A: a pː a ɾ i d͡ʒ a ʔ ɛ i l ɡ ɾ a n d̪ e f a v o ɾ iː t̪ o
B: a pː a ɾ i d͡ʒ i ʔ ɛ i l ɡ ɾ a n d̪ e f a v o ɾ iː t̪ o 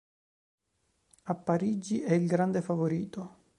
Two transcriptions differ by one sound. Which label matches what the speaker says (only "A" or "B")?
B